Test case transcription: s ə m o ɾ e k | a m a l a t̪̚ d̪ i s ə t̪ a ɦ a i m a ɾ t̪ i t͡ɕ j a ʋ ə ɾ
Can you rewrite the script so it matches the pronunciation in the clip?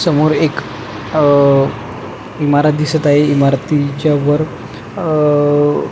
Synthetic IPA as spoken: s ə m o ɾ e k | i m a ɾ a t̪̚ d̪ i s ə t̪ a ɦ e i m a ɾ t̪ i t͡ɕ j a ʋ ə ɾ